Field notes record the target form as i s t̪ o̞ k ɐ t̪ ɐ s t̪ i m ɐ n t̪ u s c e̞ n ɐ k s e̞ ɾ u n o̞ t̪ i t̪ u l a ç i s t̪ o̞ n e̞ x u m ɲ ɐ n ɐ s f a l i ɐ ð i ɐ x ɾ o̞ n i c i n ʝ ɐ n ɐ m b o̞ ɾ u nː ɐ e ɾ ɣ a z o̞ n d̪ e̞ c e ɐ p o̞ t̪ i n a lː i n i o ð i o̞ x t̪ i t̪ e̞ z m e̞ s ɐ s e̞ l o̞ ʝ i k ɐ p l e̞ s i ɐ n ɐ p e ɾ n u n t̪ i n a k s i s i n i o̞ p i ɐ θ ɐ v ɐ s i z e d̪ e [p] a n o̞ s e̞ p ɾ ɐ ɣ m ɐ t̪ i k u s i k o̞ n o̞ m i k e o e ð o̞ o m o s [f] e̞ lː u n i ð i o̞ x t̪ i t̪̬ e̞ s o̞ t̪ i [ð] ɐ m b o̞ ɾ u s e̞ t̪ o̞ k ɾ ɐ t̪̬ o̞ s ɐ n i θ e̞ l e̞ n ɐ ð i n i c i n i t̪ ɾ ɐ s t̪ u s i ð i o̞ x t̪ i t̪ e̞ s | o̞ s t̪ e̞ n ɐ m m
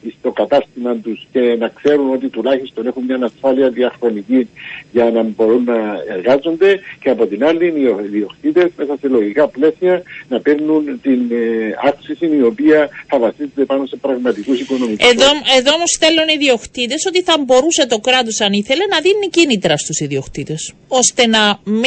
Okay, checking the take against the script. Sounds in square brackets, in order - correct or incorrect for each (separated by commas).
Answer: correct, incorrect, incorrect